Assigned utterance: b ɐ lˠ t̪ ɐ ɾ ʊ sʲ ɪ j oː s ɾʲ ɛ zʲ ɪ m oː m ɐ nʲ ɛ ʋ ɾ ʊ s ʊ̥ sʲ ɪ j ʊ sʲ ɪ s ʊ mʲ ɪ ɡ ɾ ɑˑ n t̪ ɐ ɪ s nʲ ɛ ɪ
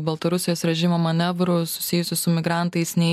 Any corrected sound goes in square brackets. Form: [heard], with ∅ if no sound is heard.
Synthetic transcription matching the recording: b ɐ lˠ t̪ ɐ ɾ ʊ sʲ ɪ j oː s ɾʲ ɛ [ʒʲ] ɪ m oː m ɐ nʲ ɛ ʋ ɾ ʊ s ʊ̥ sʲ ɪ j ʊ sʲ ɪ s ʊ mʲ ɪ ɡ ɾ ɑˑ n t̪ ɐ ɪ s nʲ ɛ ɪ